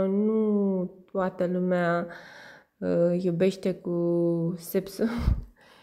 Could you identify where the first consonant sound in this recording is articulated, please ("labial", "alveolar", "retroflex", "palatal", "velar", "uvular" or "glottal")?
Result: alveolar